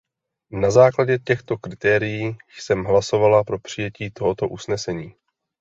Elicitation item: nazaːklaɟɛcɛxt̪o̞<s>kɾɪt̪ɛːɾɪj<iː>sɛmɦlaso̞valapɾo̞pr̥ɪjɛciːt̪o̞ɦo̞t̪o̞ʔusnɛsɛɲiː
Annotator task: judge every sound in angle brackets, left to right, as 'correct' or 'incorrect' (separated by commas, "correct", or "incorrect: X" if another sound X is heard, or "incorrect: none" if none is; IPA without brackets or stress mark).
incorrect: none, correct